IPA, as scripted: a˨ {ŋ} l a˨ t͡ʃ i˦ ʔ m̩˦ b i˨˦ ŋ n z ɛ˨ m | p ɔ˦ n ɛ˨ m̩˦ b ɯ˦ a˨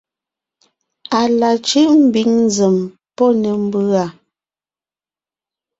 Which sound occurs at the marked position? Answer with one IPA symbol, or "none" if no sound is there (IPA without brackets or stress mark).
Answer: none